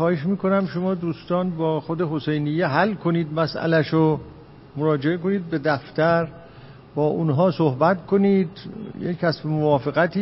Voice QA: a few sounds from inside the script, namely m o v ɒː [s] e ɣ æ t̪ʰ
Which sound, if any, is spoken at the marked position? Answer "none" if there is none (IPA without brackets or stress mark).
f